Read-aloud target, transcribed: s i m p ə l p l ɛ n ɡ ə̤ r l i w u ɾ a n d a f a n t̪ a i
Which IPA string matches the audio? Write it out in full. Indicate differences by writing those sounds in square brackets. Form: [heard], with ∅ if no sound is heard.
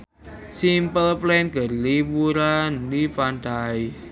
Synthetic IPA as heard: s i m p ə l p l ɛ n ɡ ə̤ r l i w u ɾ a n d [i] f a n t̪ a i